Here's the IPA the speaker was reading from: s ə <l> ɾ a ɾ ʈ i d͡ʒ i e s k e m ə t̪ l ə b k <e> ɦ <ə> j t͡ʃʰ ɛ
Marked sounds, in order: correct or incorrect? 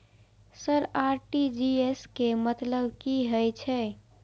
incorrect: none, incorrect: i, correct

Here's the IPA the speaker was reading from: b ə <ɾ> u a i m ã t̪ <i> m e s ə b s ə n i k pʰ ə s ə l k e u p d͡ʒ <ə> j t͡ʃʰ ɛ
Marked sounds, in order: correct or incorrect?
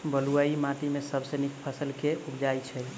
incorrect: l, correct, incorrect: a

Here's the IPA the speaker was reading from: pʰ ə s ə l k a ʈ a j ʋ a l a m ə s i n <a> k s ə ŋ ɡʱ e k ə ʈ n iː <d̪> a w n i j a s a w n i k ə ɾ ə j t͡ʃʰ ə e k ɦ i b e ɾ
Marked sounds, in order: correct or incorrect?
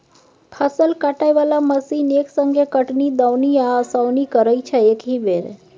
incorrect: e, correct

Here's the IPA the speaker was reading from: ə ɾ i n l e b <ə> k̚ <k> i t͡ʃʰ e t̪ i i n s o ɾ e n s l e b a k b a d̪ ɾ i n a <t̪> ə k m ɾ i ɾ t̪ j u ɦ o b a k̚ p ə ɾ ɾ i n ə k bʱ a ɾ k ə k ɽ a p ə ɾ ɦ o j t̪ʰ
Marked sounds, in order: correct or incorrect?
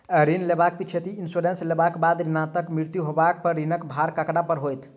incorrect: a, incorrect: p, correct

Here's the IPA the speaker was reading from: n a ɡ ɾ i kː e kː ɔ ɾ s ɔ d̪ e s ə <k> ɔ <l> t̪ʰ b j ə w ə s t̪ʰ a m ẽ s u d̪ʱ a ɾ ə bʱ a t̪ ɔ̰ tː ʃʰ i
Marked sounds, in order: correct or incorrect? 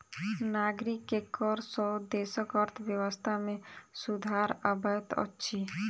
correct, incorrect: ɾ

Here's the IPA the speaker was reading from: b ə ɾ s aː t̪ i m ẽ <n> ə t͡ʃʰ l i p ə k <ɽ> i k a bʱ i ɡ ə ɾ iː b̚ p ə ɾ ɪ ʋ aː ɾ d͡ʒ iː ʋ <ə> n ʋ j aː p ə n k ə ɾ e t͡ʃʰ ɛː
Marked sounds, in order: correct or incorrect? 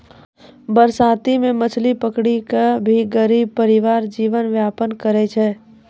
incorrect: m, correct, correct

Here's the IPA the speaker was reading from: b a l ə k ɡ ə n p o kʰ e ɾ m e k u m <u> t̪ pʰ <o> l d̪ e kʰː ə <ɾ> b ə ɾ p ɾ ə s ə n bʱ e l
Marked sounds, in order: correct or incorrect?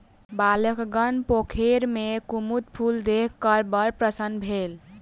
correct, incorrect: u, correct

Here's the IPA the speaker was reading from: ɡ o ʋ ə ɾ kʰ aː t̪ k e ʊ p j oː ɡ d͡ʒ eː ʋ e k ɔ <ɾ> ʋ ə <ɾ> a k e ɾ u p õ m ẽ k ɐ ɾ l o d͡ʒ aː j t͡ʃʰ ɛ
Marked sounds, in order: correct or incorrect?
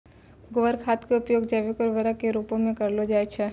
correct, correct

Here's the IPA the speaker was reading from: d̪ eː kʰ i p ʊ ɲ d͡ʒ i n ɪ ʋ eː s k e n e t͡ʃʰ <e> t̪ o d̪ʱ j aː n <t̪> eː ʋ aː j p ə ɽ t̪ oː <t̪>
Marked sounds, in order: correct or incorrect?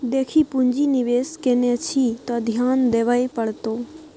incorrect: i, incorrect: d̪, incorrect: none

